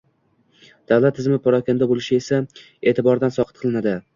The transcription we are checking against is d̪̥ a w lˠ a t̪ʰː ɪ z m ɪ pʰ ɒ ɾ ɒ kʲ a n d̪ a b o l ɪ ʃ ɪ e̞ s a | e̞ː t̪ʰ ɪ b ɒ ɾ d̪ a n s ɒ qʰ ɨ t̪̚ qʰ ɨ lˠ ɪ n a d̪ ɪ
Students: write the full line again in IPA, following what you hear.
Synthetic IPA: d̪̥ a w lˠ a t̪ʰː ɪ z m ɪ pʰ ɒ ɾ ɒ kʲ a n d̪ a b o l ɪ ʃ ɪ e̞ s a | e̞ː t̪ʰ ɪ b ɒ ɾ d̪ a n s ɒ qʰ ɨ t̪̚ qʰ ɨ lˠ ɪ n a d̪ ɪ